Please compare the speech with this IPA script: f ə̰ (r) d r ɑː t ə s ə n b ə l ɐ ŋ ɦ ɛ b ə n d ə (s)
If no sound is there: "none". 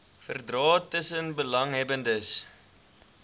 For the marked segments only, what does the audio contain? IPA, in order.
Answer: r, s

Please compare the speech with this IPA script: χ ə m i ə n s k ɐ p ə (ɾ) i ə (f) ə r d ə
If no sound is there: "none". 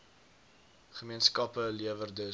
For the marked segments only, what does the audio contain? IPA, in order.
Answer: l, v

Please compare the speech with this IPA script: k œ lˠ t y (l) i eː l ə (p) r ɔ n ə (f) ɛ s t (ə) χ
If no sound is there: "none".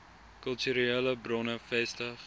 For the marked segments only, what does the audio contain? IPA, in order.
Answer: ɾ, b, f, ə

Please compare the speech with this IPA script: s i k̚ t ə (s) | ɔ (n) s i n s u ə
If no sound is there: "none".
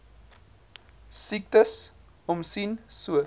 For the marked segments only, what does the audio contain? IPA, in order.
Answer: s, m

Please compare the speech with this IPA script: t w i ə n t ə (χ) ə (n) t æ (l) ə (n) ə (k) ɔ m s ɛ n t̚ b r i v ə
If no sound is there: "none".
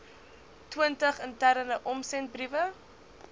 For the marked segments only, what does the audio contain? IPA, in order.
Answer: χ, n, ɾ, n, ʔ

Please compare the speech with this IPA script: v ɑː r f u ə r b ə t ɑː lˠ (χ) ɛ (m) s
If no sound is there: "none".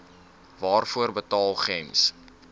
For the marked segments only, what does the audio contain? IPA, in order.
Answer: χ, m

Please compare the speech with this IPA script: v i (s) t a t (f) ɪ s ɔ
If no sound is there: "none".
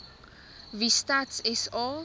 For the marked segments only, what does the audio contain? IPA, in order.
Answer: s, s

